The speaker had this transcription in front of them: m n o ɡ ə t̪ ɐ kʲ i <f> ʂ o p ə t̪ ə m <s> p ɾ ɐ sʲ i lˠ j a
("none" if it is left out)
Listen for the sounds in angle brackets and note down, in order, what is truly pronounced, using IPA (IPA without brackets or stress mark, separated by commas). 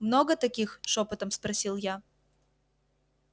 x, s